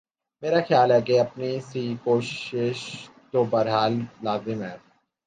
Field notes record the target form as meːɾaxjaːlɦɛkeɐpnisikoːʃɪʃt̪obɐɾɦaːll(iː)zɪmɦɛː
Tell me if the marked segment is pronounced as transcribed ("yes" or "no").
no